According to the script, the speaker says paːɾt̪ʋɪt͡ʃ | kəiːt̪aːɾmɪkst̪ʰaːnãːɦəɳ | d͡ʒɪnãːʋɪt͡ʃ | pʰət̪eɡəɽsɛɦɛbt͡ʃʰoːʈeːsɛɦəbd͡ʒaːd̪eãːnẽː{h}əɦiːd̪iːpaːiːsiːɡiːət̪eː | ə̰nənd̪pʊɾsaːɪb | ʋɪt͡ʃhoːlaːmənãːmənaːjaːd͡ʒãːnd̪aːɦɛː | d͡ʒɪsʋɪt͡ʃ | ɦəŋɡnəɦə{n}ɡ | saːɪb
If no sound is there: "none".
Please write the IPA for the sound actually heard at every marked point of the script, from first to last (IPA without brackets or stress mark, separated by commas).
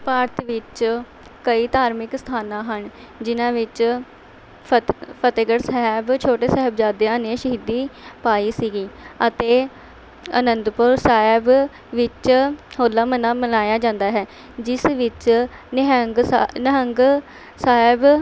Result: ʃ, ŋ